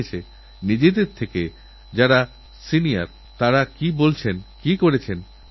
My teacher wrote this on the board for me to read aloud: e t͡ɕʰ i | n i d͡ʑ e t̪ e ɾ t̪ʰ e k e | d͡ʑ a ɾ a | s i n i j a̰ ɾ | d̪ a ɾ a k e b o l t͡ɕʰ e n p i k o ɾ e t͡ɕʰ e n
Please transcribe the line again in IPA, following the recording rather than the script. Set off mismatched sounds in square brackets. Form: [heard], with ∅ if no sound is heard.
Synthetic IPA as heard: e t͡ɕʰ [e] | n i d͡ʑ e [d̪] e ɾ t̪ʰ e k e | d͡ʑ a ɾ a | s i n i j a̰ ɾ | [t̪] a ɾ a k [i] b o l t͡ɕʰ e n [k] i k o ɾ e t͡ɕʰ e n